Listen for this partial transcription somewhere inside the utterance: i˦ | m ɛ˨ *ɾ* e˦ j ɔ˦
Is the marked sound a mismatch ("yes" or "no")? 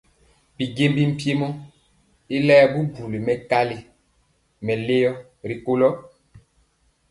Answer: yes